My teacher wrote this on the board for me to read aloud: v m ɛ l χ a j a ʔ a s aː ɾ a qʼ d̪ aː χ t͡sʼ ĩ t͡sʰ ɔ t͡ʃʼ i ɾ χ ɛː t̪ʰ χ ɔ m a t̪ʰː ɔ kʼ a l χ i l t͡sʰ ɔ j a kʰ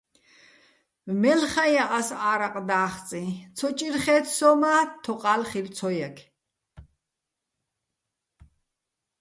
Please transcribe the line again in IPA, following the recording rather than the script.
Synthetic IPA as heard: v m ɛ l χ a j a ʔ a s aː ɾ a qʼ d̪ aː χ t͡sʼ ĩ t͡sʰ ɔ t͡ʃʼ i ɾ χ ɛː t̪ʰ s ɔ m a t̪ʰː ɔ qʼ a l χ i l t͡sʰ ɔ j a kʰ